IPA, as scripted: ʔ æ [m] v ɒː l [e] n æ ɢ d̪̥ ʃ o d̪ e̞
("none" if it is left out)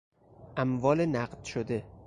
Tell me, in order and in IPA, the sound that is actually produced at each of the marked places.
m, e

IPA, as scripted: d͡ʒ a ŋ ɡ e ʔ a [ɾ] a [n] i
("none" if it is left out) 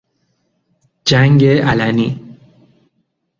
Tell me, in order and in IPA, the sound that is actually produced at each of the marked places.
l, n

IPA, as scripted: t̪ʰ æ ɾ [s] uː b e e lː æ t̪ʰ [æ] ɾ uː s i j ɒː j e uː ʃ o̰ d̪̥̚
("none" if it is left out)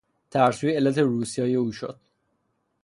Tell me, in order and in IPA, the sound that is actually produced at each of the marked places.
s, e

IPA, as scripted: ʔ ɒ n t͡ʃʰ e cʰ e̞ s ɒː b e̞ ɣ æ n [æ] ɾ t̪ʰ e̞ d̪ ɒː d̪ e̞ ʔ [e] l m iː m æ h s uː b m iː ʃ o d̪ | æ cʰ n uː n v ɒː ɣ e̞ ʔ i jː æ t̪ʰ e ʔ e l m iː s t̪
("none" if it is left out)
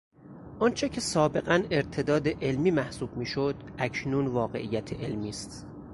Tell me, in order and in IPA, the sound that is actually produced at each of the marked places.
e, e

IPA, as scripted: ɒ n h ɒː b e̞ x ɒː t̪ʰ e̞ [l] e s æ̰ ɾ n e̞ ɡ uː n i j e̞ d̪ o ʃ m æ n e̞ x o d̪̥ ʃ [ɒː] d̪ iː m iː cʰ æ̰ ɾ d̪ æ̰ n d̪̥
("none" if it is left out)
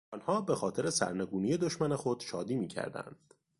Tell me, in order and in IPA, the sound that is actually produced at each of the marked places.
ɾ, ɒː

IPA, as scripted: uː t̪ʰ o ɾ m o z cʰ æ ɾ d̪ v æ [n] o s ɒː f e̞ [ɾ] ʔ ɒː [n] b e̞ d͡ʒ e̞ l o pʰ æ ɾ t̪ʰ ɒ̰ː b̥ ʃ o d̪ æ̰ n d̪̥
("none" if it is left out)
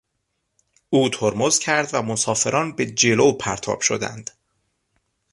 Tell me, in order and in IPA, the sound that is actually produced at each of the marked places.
m, ɾ, n

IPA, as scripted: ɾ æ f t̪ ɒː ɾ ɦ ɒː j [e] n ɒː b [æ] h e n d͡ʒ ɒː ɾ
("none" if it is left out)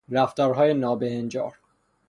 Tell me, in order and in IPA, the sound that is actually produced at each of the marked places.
e, e

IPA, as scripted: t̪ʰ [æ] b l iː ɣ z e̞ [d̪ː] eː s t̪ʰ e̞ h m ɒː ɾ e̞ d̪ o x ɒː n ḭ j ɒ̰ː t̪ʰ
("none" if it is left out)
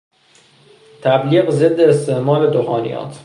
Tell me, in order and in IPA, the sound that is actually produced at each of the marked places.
æ, d̪ː

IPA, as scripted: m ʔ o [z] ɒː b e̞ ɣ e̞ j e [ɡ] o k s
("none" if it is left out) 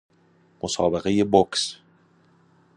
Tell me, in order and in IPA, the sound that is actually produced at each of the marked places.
s, b

